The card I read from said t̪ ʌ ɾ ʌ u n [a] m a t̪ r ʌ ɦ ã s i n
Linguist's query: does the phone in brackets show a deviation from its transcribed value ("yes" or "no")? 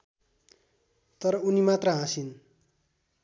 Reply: yes